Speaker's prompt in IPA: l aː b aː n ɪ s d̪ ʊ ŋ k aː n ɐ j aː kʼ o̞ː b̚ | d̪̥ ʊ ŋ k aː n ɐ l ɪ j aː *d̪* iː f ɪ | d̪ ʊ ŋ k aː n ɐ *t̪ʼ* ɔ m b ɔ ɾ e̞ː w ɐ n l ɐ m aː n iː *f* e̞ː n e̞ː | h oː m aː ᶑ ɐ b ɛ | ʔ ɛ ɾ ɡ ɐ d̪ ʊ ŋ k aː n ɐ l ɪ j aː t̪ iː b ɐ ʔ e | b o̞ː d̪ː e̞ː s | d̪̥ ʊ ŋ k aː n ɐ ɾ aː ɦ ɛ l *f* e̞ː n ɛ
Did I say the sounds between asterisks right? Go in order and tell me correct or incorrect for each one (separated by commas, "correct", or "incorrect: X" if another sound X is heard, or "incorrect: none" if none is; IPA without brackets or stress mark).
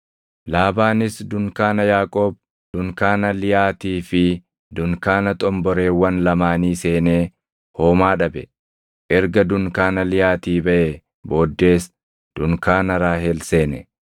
incorrect: t̪, correct, incorrect: s, incorrect: s